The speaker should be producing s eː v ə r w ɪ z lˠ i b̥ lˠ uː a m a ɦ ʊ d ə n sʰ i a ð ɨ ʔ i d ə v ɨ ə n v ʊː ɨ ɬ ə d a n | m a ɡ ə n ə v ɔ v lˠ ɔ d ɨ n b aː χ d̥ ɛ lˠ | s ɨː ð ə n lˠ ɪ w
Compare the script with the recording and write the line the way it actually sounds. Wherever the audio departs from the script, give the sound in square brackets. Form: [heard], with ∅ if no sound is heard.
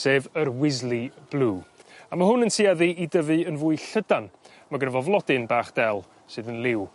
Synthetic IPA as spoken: s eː v ə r w ɪ z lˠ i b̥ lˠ uː a m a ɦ ʊ [n] ə n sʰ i a ð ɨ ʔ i d ə v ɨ ə n v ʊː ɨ ɬ ə d a n | m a ɡ ə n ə v ɔ v lˠ ɔ d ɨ n b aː χ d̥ ɛ lˠ | s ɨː ð ə n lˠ ɪ w